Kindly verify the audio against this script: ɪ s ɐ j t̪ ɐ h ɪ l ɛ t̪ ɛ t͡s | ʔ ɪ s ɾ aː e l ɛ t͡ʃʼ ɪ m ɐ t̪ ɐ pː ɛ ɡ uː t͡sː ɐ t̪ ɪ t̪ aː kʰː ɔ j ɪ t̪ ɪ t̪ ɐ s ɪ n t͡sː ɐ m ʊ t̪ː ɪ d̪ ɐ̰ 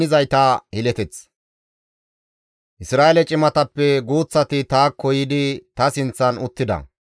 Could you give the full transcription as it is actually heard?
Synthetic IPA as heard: ɪ z ɐ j t̪ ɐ h ɪ l ɛ t̪ ɛ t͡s | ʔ ɪ s ɾ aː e l ɛ t͡ʃʼ ɪ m ɐ t̪ ɐ pː ɛ ɡ uː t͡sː ɐ t̪ ɪ t̪ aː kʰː ɔ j ɪ d̪ ɪ t̪ ɐ s ɪ n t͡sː ɐ n ʊ t̪ː ɪ d̪ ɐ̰